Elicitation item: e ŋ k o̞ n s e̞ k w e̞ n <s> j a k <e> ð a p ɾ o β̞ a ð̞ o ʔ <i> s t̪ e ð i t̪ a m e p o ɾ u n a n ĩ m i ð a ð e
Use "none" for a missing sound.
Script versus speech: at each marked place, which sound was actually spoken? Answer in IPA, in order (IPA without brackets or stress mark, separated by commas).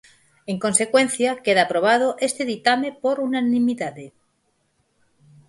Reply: θ, e, e